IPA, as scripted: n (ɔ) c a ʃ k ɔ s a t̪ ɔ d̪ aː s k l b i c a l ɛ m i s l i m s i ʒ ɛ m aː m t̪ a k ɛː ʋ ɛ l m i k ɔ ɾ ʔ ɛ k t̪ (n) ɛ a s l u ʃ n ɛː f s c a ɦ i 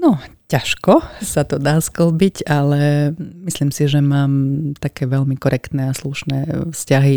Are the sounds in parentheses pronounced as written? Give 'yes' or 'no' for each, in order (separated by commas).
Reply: yes, yes